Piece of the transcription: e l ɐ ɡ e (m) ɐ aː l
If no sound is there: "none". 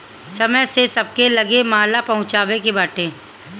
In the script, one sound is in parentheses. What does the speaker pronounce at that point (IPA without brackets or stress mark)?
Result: m